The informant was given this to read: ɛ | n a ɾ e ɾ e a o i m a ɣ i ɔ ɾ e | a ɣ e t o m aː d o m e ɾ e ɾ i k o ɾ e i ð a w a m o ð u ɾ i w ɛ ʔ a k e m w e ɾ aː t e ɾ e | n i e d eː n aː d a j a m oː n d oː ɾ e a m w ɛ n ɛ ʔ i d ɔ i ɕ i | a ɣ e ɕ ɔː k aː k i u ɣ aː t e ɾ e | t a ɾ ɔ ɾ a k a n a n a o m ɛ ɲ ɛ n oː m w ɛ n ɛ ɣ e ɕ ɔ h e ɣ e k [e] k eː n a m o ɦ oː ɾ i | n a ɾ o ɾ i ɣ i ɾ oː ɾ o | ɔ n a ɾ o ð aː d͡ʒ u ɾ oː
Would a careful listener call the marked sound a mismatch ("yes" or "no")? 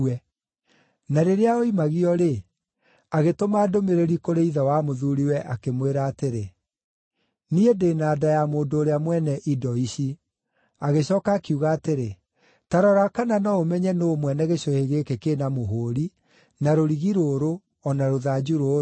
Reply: no